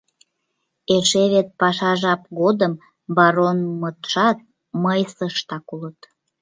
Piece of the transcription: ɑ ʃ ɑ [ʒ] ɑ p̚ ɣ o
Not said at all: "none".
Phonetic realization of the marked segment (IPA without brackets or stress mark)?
ʒ